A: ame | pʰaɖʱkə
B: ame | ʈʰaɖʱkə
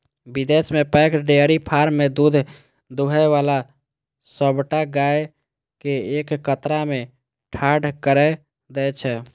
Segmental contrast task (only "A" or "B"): B